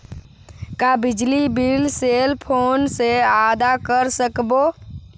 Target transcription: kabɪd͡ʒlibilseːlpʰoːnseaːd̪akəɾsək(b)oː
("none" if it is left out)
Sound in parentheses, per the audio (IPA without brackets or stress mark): b